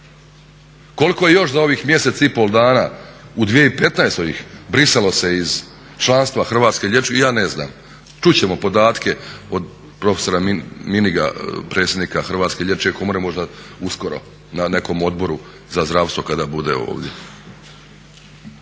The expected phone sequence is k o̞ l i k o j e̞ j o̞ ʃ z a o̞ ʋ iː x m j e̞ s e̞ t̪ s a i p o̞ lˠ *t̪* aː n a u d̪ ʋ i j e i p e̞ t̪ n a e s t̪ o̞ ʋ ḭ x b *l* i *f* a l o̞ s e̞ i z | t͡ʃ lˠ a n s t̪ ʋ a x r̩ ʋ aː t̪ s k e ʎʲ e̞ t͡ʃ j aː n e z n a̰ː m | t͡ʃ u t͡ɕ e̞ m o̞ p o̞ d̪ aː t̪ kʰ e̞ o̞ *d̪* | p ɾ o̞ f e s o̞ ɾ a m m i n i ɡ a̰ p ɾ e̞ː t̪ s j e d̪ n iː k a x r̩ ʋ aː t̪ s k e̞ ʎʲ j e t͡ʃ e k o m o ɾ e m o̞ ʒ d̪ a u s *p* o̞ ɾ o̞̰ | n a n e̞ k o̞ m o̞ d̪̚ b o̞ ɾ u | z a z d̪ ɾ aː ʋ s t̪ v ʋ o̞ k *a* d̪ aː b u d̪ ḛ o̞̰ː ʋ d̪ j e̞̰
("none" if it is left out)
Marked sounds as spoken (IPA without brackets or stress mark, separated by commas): d̪, ɾ, s, d̪, k, a